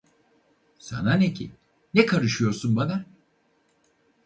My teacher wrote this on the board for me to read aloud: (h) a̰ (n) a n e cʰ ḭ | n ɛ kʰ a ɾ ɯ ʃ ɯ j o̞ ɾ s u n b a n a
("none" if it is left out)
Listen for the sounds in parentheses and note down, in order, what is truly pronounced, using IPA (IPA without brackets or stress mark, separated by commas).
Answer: s, n